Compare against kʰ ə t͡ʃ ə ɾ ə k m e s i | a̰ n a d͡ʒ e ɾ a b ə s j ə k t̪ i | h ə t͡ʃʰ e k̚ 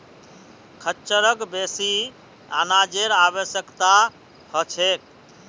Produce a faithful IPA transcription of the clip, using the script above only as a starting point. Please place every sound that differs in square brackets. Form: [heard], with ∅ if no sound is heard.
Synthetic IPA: kʰ ə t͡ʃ ə ɾ ə k [b] e s i | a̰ n a d͡ʒ e ɾ a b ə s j ə k t̪ [a] | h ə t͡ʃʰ e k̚